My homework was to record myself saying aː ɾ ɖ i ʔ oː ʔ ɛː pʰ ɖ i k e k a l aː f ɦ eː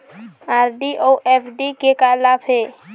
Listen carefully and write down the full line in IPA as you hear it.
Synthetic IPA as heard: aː ɾ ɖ i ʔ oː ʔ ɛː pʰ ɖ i k e k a l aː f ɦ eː